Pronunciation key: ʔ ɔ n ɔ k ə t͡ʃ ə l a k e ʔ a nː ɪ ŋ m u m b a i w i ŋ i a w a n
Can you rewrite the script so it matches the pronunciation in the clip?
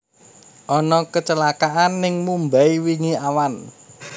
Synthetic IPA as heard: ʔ ɔ n ɔ k ə t͡ʃ ə l a k a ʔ a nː ɪ ŋ m u m b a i w i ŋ i a w a n

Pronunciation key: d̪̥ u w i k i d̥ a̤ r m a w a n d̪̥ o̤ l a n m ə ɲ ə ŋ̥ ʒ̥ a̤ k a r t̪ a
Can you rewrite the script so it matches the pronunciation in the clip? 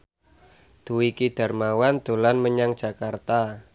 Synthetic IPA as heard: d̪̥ u w i k i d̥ a̤ r m a w a n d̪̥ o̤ l a n m ə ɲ a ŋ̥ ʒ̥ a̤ k a r t̪ a

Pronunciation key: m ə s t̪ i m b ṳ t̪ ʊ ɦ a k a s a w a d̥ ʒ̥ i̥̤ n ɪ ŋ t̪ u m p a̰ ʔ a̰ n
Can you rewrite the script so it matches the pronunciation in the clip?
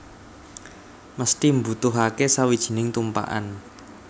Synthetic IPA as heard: m ə s t̪ i m b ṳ t̪ ʊ ɦ a k e s a w i d̥ ʒ̥ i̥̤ n ɪ ŋ t̪ u m p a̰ ʔ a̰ n

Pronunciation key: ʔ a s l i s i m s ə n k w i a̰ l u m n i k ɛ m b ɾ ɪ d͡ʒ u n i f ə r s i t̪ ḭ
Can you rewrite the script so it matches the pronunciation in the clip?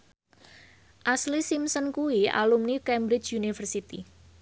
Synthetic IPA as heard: ʔ a s l i s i m s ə n k u i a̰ l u m n i k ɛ m b ɾ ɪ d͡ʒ u n i f ə r s i t̪ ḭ

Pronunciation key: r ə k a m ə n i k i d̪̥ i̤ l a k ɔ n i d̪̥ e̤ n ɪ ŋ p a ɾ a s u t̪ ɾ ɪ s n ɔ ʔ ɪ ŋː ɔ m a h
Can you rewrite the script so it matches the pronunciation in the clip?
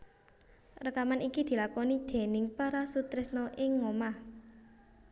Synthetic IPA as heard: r ə k a m a n i k i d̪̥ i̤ l a k ɔ n i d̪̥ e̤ n ɪ ŋ p a ɾ a s u t̪ ɾ ɪ s n ɔ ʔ ɪ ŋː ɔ m a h

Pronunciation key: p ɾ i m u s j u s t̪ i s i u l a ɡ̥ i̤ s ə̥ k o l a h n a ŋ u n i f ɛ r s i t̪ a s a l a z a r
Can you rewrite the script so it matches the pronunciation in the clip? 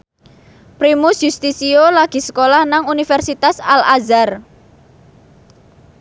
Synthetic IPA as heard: p ɾ i m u s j u s t̪ i s i o l a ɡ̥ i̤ s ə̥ k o l a h n a ŋ u n i f ɛ r s i t̪ a s a l a z a r

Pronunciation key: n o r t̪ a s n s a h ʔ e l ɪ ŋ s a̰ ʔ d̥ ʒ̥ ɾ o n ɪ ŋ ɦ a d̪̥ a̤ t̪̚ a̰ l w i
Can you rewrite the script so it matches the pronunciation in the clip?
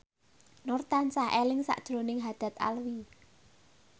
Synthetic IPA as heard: n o r t̪ a n s a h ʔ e l ɪ ŋ s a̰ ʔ d̥ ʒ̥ ɾ o n ɪ ŋ ɦ a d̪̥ a̤ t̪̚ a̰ l w i

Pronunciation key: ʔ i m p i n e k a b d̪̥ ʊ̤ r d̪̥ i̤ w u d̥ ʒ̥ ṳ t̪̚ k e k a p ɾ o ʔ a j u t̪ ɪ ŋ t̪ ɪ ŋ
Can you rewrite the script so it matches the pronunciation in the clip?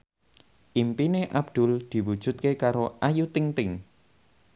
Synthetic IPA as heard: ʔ i m p i n e ʔ a b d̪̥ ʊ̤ l d̪̥ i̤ w u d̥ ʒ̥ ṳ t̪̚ k e k a ɾ o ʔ a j u t̪ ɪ ŋ t̪ ɪ ŋ

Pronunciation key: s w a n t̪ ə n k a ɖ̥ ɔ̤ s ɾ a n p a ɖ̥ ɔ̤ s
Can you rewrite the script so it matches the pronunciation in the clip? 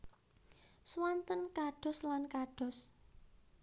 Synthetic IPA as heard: s w a n t̪ ə n k a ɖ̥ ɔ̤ s l a n k a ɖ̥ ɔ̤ s

